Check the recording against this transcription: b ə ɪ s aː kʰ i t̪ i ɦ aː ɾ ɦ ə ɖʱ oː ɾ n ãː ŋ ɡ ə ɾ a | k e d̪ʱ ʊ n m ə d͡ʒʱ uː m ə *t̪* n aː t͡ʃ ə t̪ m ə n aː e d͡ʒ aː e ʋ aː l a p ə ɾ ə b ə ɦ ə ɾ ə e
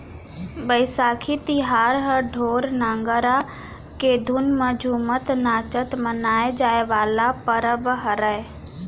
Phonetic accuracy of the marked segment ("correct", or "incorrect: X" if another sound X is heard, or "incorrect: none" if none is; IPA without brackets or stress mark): correct